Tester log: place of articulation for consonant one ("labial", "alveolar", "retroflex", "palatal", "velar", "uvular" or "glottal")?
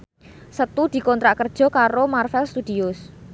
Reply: alveolar